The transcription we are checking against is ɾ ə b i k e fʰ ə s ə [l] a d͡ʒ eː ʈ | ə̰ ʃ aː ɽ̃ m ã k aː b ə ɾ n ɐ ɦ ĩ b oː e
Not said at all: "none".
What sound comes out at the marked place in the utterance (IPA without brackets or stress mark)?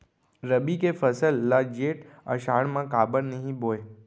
lː